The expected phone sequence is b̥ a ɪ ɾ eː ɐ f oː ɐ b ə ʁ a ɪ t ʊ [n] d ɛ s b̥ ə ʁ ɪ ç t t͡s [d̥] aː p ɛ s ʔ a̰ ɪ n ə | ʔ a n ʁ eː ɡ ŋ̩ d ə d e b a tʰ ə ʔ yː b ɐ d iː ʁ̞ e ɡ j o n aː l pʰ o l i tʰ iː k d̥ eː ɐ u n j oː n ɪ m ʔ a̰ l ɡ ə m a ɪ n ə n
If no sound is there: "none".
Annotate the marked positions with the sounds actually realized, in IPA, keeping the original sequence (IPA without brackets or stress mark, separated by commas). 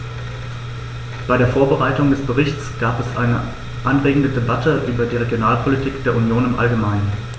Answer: ŋ, ɡ̥